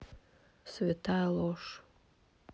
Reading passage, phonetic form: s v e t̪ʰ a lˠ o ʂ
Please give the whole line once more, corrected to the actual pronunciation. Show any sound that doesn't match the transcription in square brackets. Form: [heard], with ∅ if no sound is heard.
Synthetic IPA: s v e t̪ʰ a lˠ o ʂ